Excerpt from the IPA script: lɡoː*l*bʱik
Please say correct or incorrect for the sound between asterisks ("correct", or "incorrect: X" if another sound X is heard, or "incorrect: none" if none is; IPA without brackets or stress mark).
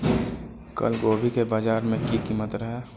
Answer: incorrect: none